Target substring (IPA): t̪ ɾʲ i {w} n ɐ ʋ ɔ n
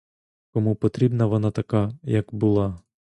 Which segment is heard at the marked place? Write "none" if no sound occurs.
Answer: b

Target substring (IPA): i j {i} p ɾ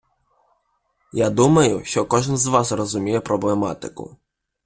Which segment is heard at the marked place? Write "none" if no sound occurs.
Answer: ɛ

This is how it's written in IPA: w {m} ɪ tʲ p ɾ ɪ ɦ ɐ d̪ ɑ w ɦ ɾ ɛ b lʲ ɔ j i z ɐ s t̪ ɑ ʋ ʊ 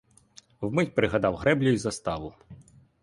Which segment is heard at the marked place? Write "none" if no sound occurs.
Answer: m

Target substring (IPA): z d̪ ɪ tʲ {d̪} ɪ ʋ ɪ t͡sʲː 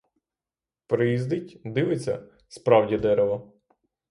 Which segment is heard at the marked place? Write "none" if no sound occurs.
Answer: d̪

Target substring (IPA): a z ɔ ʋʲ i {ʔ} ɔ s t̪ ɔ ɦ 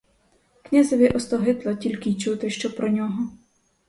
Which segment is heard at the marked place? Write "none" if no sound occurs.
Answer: ʔ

